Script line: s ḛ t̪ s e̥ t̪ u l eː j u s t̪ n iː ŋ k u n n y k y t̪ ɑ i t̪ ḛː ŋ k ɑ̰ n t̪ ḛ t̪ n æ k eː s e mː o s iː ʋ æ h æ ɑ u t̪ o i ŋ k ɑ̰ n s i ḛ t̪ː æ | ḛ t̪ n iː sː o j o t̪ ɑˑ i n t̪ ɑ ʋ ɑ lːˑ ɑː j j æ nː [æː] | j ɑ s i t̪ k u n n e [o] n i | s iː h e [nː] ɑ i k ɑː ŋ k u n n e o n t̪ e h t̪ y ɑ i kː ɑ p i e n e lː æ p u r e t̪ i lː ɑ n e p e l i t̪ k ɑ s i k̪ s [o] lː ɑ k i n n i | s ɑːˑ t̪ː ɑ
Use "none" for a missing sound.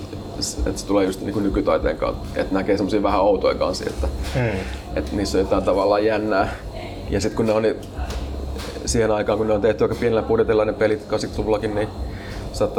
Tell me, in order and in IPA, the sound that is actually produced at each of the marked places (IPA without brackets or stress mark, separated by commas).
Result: æː, o, n, u